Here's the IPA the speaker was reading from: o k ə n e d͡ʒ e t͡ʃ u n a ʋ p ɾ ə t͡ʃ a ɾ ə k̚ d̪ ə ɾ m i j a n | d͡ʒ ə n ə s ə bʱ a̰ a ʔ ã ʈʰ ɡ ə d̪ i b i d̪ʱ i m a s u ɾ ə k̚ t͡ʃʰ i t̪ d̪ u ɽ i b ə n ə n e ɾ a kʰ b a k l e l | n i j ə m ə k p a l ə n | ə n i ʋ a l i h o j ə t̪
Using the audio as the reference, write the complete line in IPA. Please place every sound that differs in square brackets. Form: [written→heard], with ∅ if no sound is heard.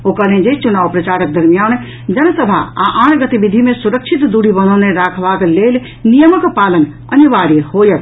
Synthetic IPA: o k ə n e d͡ʒ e t͡ʃ u n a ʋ p ɾ ə t͡ʃ a ɾ ə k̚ d̪ ə ɾ m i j a n | d͡ʒ ə n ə s ə bʱ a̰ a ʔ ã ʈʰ ɡ ə [d̪→t̪] i b i d̪ʱ i m [a→e] s u ɾ ə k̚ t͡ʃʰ i t̪ d̪ u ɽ i b ə n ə n e ɾ a kʰ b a k l e l | n i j ə m ə k p a l ə n | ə n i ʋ a [l→ɾ] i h o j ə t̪

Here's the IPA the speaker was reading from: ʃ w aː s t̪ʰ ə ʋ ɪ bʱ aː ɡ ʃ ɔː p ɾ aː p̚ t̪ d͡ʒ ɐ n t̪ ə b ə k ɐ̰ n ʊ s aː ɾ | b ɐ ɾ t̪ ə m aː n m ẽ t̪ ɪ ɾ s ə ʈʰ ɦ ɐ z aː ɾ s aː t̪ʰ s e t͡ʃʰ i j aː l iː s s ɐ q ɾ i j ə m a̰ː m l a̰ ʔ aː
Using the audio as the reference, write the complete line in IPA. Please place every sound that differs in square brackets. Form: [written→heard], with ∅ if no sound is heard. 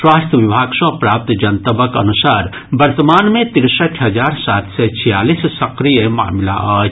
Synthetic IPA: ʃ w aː s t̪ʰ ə ʋ ɪ bʱ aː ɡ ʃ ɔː p ɾ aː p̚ t̪ d͡ʒ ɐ n t̪ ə b ə k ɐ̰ n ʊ s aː ɾ | b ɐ ɾ t̪ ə m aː n m ẽ t̪ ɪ ɾ s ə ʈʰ ɦ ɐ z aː ɾ s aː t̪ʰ s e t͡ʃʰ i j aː l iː s s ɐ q ɾ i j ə m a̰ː m l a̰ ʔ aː

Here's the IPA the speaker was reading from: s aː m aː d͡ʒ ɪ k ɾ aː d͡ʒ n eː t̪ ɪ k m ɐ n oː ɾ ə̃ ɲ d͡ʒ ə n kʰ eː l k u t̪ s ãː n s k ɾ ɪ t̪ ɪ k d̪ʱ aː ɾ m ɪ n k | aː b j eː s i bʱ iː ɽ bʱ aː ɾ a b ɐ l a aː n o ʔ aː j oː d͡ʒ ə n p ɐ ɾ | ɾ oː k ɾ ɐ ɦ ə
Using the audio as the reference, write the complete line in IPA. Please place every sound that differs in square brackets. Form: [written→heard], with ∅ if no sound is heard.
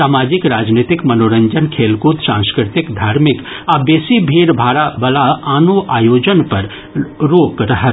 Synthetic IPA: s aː m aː d͡ʒ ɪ k ɾ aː d͡ʒ n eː t̪ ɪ k m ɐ n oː ɾ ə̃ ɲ d͡ʒ ə n kʰ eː l k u t̪ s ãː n s k ɾ ɪ t̪ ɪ k d̪ʱ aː ɾ m ɪ [n→∅] k | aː b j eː s i bʱ iː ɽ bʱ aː ɾ a b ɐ l a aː n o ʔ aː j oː d͡ʒ ə n p ɐ ɾ | ɾ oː k ɾ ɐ ɦ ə

